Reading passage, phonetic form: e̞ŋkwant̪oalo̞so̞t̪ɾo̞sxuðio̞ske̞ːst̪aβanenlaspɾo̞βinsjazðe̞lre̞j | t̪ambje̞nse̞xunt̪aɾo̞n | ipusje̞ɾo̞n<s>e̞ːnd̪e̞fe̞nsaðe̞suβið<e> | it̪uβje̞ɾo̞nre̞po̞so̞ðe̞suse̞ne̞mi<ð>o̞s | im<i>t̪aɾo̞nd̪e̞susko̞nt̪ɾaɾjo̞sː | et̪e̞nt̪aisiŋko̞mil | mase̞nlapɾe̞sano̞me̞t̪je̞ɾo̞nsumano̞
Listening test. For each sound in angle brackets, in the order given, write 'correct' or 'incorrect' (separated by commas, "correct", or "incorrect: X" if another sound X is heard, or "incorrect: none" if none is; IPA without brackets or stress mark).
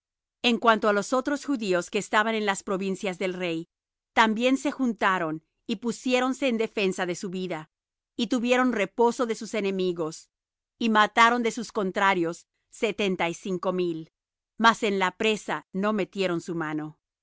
correct, incorrect: a, incorrect: ɣ, incorrect: a